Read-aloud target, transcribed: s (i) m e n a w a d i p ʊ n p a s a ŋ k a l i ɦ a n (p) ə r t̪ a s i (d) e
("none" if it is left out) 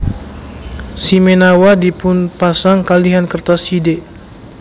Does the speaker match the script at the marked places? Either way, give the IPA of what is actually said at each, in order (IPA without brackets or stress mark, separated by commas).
i, k, d